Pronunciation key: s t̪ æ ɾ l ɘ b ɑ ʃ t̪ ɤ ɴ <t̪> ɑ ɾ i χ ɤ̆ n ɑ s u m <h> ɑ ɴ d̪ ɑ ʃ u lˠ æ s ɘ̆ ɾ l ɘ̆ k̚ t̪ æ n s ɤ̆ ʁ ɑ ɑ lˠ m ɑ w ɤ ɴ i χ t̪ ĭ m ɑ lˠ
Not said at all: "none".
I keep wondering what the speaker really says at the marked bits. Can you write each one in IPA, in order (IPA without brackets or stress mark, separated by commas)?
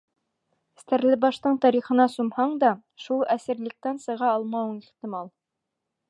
t̪, h